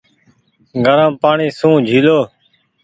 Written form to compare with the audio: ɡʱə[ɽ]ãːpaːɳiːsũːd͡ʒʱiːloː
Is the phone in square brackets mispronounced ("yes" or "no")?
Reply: yes